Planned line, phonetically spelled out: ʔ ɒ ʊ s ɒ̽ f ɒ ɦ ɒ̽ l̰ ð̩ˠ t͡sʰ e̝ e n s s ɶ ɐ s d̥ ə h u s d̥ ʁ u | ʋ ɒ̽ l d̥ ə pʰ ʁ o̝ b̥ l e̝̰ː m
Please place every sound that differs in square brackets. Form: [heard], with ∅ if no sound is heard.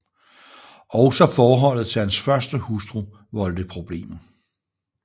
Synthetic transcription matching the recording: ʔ ɒ ʊ s ɒ̽ f [ɒː] ɦ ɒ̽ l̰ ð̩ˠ t͡sʰ e̝ [æ] n s [f] ɶ ɐ s d̥ ə h u s d̥ ʁ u | ʋ ɒ̽ l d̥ ə pʰ ʁ o̝ b̥ l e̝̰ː m

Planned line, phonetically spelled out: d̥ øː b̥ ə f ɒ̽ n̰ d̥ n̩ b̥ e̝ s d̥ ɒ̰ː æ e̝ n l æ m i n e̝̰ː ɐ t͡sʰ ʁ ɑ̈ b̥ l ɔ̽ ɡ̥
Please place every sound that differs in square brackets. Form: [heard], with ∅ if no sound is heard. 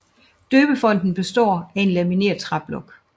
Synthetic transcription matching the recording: d̥ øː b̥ ə f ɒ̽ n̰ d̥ n̩ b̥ e̝ s d̥ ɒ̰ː æ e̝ n l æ m i n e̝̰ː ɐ t͡sʰ ʁ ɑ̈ b̥ l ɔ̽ ɡ̥

